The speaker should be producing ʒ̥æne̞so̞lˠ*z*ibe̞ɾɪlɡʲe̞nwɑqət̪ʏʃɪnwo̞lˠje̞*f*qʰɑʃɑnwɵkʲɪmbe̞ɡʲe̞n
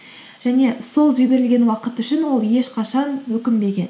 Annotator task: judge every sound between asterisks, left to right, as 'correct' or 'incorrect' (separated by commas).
incorrect, incorrect